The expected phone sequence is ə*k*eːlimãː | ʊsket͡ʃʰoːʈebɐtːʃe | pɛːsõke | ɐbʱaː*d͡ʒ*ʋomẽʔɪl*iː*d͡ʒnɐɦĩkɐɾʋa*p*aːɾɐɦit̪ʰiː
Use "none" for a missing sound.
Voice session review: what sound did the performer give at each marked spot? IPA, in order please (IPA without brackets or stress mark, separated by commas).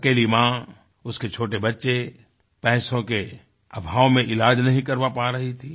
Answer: k, none, aː, p